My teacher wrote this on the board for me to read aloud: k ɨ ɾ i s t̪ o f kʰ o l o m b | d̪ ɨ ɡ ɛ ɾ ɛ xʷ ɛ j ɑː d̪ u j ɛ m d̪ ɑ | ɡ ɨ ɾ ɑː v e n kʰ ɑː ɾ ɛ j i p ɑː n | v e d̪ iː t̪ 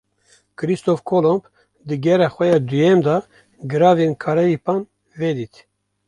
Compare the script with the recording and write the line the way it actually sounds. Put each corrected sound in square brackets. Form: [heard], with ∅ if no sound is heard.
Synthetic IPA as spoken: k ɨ ɾ i s t̪ o f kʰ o l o m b | d̪ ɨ ɡ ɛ ɾ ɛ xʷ ɛ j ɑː d̪ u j ɛ m d̪ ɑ | ɡ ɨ ɾ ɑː v e n kʰ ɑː ɾ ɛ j i p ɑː n | v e d̪ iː t̪